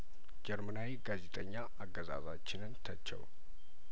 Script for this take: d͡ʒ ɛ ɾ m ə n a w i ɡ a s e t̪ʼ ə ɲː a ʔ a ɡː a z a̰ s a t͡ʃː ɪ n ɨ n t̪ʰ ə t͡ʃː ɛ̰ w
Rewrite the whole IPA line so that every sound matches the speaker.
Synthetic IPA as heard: d͡ʒ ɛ ɾ m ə n a w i ɡ a z e t̪ʼ ə ɲː a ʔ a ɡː ə z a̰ z a t͡ʃː ɪ n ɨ n t̪ʰ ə t͡ʃː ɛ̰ w